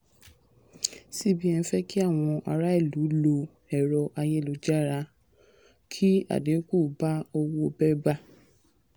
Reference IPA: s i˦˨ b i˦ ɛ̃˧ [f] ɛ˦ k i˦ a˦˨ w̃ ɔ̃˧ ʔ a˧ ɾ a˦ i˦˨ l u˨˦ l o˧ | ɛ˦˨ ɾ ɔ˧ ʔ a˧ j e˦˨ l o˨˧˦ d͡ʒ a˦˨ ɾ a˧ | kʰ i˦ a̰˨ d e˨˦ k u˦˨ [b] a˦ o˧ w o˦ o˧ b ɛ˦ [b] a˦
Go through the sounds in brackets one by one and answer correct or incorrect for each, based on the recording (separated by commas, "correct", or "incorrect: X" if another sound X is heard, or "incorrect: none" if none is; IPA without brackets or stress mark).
correct, correct, correct